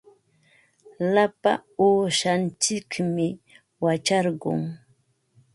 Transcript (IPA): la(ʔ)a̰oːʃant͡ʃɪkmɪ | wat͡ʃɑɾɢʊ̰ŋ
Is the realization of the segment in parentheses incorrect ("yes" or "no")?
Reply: yes